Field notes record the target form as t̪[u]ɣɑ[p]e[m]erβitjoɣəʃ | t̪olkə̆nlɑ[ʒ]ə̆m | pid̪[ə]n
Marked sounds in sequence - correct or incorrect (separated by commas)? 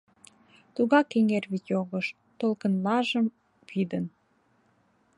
correct, incorrect, incorrect, correct, correct